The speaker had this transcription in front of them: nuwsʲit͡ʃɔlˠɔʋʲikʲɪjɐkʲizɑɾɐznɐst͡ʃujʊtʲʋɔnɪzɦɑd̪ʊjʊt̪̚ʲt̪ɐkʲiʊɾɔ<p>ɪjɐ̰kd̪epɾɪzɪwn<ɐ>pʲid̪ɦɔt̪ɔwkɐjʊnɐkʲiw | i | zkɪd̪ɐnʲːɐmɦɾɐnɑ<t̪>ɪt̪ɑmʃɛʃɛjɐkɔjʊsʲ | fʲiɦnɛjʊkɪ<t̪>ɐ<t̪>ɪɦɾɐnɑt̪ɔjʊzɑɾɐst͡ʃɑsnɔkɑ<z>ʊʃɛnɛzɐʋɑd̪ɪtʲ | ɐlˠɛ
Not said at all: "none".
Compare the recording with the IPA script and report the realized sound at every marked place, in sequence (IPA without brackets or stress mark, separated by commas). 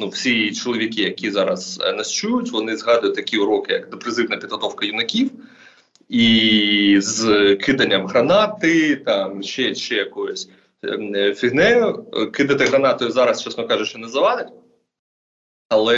k, ɐ, t̪, d̪, t̪, ʒ